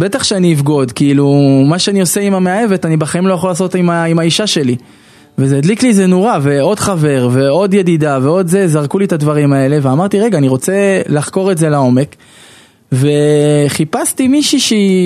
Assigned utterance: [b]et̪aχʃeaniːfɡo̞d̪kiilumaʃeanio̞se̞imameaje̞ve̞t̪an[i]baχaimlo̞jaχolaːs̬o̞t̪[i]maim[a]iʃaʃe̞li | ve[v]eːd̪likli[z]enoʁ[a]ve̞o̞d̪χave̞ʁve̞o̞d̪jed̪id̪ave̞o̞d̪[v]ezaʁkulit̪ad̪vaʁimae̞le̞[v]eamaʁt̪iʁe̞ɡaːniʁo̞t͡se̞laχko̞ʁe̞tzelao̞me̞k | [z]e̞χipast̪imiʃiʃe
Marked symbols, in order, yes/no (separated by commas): yes, yes, yes, yes, no, yes, yes, no, yes, no